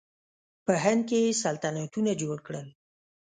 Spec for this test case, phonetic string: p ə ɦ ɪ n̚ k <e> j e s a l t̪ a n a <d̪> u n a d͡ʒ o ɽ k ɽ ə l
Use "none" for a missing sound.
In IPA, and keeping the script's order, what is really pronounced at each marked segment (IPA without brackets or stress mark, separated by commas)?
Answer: e, t̪